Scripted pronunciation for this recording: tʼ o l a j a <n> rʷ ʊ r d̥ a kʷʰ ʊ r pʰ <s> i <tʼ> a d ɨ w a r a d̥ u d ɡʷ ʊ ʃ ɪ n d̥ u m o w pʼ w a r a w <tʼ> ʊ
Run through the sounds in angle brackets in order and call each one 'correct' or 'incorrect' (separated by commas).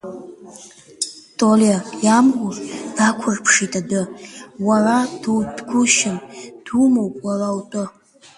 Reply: incorrect, incorrect, correct, correct